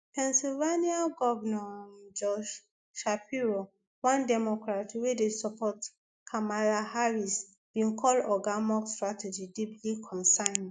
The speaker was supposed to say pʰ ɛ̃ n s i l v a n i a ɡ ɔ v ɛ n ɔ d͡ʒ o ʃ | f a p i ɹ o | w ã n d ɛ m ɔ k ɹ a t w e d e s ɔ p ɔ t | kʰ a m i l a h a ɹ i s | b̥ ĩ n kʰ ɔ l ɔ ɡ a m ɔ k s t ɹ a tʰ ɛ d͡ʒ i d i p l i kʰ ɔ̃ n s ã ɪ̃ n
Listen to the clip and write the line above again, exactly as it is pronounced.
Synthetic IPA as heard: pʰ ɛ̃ n s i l v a n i a ɡ ɔ v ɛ n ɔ d͡ʒ ɔ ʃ | ʃ a p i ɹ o | w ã n d ɛ m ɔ k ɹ a t w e d e s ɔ p ɔ t | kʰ a m a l a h a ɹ i s | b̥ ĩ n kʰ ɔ l ɔ ɡ a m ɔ k s t ɹ a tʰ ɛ d͡ʒ i d i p l i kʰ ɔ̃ n s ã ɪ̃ n